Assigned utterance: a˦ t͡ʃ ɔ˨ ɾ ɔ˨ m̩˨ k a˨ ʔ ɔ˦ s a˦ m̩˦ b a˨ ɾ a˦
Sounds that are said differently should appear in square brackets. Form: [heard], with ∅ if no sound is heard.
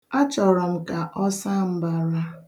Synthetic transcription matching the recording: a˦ t͡ʃ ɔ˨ ɾ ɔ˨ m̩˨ k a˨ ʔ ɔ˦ s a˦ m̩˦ b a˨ ɾ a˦